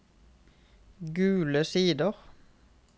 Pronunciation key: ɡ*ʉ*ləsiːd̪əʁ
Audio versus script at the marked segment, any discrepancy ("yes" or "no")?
yes